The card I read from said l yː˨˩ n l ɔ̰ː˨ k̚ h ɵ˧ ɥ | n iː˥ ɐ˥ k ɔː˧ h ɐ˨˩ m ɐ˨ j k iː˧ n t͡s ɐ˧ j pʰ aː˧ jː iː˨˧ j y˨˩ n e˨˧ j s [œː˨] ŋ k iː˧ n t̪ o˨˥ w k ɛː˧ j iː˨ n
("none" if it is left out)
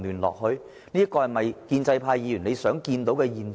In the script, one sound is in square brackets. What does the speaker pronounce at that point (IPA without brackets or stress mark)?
œː˨˥